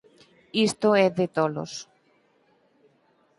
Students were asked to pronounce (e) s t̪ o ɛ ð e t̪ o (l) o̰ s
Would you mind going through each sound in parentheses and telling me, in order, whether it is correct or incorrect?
incorrect, correct

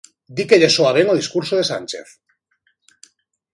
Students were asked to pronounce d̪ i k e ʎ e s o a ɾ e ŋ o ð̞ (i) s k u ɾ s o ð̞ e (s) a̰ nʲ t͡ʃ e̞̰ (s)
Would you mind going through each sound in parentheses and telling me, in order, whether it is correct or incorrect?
correct, correct, incorrect

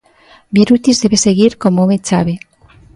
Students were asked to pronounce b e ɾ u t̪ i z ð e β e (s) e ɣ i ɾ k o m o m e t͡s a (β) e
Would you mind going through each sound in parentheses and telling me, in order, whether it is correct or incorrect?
correct, correct

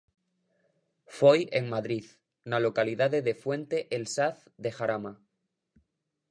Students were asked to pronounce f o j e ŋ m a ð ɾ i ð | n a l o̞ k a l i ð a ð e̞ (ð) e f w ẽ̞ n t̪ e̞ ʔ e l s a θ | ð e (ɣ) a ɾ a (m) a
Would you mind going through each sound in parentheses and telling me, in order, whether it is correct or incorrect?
correct, incorrect, correct

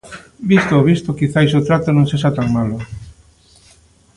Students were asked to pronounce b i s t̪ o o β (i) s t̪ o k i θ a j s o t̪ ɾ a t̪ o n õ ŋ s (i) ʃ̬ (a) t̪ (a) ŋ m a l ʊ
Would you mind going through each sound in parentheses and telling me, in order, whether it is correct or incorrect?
correct, incorrect, correct, correct

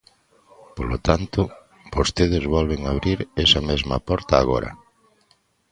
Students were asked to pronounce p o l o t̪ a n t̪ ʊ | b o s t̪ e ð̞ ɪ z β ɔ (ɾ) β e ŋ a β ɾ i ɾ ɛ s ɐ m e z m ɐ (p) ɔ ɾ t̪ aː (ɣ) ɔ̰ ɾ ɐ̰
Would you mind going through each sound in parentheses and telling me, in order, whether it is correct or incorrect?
incorrect, correct, correct

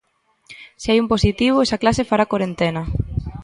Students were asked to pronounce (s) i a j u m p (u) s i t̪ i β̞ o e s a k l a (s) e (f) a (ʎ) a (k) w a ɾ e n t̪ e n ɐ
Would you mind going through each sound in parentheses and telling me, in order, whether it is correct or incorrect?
correct, incorrect, correct, correct, incorrect, correct

